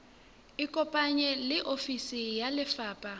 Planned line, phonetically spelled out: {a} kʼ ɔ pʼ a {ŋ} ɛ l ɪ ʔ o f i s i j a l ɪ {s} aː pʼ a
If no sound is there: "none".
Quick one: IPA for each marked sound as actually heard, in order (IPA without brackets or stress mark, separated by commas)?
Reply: i, ɲ, f